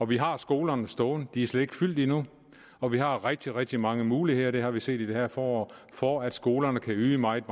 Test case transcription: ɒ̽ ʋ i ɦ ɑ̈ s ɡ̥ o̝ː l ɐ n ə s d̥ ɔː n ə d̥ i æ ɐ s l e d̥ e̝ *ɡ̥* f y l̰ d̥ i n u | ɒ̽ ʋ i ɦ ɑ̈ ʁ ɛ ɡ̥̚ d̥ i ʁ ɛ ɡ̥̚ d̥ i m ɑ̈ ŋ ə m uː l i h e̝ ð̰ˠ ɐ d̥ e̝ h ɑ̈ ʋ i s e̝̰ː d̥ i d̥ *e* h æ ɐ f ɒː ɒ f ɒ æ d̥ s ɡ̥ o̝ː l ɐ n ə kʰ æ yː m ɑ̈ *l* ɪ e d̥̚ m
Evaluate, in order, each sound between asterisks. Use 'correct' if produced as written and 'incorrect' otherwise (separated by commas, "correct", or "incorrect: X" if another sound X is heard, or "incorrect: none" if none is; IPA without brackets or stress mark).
correct, correct, incorrect: none